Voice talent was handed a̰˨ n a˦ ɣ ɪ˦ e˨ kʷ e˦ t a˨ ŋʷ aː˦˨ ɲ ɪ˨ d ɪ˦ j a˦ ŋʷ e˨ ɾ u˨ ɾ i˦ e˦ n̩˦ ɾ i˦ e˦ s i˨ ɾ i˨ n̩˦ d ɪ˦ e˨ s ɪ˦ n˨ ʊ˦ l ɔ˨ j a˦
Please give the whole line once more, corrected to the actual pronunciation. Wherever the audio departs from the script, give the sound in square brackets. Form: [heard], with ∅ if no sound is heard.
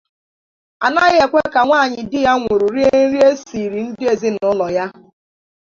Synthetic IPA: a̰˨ n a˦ ɣ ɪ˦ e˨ kʷ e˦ [k] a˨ ŋʷ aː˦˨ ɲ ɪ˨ d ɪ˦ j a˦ ŋʷ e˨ ɾ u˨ ɾ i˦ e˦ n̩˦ ɾ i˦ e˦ s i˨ ɾ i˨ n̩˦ d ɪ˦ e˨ [z] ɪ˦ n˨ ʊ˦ l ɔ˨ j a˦

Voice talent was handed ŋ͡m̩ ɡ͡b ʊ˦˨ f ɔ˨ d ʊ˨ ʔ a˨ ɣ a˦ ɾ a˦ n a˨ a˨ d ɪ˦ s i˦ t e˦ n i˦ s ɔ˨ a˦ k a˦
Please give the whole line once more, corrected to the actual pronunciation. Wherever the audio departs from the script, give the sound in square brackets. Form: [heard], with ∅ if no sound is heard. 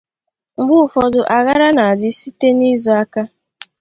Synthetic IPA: ŋ͡m̩ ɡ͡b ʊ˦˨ f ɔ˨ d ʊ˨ ʔ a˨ ɣ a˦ ɾ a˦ n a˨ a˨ [d͡ʒ] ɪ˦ s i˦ t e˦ n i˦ [z] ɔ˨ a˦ k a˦

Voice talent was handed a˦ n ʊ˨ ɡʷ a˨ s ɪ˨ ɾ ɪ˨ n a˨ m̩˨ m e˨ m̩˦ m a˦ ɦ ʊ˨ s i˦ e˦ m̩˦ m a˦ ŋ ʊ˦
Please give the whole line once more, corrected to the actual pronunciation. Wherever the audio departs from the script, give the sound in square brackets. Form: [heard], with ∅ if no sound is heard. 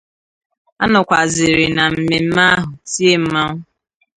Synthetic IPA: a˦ n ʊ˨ [kʷ] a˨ [z] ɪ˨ ɾ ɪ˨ n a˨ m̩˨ m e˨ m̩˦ m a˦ ɦ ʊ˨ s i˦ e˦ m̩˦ m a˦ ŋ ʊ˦

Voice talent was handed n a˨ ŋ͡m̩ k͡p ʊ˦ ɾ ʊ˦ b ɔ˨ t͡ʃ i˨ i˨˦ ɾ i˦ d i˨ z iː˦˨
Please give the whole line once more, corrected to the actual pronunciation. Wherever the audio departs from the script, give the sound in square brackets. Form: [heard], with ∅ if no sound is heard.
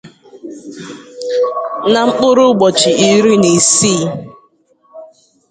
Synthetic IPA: n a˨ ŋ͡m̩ k͡p ʊ˦ ɾ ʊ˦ [ɡ͡b] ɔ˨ t͡ʃ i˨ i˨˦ ɾ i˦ [n] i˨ [s] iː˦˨

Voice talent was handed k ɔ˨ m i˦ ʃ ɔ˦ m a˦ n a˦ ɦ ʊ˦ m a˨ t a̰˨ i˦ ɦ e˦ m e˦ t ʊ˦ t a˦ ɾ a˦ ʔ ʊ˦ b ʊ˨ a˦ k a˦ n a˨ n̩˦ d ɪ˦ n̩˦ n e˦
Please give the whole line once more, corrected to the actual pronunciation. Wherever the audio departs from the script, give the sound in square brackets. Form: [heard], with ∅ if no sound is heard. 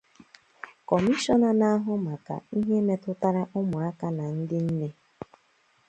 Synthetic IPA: k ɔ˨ m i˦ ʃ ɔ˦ [n] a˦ n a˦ ɦ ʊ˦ m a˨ [k] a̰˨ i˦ ɦ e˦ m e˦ t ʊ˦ t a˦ ɾ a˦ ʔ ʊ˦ [m] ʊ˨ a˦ k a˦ n a˨ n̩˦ d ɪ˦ n̩˦ n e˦

